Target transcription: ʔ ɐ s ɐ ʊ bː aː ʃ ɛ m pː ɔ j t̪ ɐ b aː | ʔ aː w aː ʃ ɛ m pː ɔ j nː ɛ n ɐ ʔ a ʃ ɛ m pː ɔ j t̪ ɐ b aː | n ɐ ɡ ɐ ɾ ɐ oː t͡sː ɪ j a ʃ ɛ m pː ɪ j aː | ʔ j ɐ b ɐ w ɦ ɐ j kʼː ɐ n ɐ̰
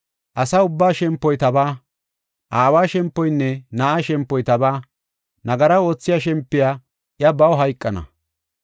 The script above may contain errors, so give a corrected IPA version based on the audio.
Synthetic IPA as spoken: ʔ ɐ s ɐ ʊ bː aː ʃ ɛ m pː ɔ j t̪ ɐ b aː | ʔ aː w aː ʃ ɛ m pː ɔ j nː ɛ n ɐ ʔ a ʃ ɛ m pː ɔ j t̪ ɐ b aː | n ɐ ɡ ɐ ɾ ɐ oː t͡sː ɪ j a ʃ ɛ m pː ɪ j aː | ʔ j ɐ b ɐ w ɦ ɐ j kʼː ɐ n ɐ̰